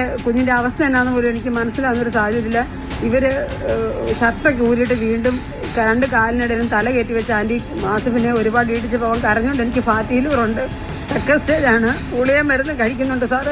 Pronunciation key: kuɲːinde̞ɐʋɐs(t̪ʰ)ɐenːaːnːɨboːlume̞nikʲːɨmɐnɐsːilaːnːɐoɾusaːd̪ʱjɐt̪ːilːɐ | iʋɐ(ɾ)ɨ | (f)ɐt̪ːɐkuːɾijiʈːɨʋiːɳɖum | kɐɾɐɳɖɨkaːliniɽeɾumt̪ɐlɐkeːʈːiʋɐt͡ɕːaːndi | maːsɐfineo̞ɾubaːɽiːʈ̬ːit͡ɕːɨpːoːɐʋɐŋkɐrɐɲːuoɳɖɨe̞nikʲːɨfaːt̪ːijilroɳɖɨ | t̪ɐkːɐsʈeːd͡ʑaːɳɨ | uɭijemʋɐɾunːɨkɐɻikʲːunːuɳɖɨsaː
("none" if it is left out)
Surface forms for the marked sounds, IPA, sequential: t̪, ɾ, ɕ

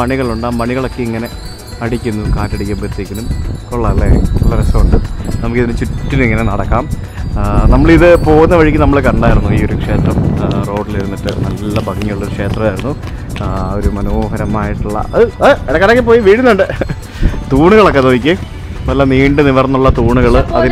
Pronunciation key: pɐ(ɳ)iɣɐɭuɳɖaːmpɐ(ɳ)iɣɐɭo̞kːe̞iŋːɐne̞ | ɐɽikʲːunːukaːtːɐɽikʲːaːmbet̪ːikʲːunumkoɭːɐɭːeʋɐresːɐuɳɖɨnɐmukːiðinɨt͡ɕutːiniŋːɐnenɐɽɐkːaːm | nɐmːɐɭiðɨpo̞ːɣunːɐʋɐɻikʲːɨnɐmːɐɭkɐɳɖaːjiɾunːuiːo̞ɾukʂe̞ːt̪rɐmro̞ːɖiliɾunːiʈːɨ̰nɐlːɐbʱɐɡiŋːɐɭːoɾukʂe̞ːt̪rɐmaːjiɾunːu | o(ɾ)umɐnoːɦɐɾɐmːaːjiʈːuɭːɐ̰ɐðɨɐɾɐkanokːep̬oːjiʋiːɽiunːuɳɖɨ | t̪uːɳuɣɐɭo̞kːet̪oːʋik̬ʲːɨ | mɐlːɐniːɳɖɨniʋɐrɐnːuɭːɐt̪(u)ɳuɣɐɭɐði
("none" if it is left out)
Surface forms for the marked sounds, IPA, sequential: ɳ, ɳ, ɾ, uː

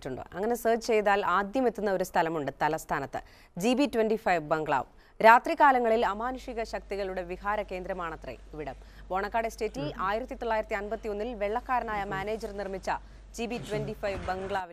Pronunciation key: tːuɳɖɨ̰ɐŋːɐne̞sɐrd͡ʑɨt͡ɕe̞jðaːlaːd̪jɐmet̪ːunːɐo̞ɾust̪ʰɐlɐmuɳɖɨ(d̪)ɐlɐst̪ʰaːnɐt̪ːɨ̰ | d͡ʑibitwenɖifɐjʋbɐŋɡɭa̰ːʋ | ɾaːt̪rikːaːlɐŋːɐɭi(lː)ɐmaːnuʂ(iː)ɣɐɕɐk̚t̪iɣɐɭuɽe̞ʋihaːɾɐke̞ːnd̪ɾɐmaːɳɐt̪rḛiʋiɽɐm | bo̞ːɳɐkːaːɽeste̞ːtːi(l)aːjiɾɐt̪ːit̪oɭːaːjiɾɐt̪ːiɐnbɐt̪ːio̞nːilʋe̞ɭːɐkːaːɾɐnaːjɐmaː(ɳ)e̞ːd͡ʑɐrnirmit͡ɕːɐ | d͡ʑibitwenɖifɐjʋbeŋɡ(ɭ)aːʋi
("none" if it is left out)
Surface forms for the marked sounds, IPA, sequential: t̪, l, i, l, n, ɭ

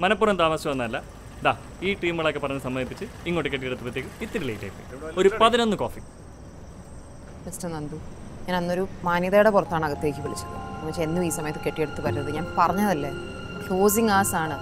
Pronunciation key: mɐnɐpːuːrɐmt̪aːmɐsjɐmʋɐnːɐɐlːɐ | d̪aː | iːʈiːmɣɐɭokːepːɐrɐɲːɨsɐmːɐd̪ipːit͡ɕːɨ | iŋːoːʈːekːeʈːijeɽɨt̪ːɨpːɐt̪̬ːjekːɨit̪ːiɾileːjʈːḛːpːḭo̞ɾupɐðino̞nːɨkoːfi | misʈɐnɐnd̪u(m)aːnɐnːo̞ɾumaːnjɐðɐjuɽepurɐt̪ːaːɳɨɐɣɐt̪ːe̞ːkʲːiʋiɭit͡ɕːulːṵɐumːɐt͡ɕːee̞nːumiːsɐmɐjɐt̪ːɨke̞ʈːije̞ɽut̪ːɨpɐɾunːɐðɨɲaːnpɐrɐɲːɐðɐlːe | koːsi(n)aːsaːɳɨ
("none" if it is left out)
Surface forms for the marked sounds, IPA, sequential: ɲ, ŋ

